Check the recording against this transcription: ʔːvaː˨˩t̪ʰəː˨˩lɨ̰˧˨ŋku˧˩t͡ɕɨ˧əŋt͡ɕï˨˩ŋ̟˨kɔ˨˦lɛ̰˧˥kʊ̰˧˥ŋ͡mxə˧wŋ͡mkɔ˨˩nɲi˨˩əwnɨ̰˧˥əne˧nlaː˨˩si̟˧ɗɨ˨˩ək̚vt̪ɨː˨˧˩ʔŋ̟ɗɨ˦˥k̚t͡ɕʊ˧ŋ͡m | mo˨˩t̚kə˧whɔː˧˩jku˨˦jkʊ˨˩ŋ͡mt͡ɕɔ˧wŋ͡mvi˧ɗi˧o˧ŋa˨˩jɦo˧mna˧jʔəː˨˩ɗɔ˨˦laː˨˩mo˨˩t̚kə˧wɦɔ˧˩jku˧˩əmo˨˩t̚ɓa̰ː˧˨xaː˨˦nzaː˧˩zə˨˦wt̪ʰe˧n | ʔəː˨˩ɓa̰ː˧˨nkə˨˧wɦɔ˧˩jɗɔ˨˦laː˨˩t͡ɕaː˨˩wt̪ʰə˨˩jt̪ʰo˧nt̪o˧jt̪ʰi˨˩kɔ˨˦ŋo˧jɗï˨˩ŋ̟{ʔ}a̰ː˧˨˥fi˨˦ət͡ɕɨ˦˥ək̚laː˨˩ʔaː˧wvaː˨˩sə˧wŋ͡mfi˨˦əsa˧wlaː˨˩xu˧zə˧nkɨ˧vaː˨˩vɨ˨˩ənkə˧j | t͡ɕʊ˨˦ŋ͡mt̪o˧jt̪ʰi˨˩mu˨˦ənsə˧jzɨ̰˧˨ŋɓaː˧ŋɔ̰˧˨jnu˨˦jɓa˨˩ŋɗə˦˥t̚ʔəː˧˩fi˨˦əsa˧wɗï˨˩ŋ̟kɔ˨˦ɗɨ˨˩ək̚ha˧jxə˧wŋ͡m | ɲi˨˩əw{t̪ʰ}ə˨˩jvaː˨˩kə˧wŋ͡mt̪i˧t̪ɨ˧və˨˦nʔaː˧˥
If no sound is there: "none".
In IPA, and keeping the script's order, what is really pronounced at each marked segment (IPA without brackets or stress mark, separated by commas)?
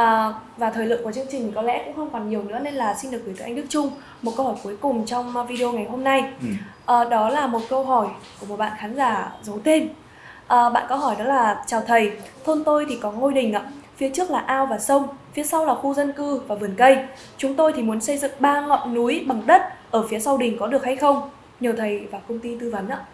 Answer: ʔ, t̪ʰ